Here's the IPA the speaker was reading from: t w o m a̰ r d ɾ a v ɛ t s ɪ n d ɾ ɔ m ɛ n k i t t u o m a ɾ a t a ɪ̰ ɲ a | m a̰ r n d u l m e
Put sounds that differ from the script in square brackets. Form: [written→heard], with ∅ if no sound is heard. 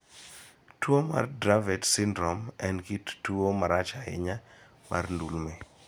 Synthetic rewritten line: t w o m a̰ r d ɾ a v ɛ t s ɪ n d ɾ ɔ m ɛ n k i t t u o m a ɾ a [t→t͡ʃ] a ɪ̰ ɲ a | m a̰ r n d u l m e